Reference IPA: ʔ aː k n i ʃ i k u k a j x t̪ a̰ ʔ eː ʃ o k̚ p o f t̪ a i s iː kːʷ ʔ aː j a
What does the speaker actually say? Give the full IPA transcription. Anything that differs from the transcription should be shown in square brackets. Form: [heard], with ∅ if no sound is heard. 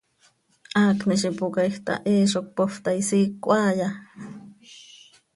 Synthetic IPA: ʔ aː k n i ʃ i [p] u k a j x t̪ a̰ ʔ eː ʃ o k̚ p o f t̪ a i s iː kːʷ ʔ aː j a